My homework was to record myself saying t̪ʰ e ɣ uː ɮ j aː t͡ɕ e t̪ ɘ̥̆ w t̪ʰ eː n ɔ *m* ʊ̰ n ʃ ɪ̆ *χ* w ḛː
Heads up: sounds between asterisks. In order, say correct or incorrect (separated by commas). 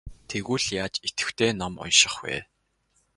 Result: correct, correct